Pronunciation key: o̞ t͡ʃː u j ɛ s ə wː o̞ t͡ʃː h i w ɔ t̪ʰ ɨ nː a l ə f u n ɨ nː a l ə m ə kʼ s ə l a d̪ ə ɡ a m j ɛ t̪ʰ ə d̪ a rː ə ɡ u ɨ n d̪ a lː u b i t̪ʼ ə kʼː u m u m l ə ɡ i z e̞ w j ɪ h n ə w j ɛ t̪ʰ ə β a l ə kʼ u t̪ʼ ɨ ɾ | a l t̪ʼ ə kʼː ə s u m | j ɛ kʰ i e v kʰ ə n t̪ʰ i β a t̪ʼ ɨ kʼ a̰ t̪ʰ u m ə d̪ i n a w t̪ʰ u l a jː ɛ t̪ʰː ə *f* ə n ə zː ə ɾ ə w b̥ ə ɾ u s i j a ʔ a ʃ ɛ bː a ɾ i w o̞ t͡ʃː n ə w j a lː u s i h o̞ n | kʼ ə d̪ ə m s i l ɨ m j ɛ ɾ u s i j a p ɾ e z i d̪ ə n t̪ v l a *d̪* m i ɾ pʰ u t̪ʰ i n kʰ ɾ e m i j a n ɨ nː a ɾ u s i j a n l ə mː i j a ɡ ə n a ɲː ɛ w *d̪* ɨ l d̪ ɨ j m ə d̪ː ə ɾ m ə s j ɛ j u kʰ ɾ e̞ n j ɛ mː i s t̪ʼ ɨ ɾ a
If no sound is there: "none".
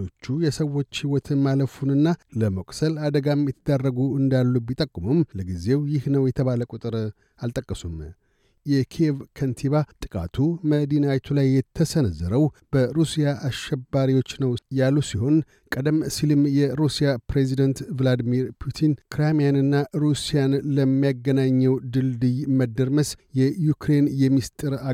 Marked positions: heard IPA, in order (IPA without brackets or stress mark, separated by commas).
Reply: s, d̪, d̪